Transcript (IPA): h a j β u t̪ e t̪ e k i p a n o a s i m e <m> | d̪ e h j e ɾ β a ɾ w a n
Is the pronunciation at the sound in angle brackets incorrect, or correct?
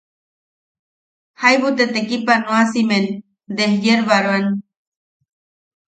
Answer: incorrect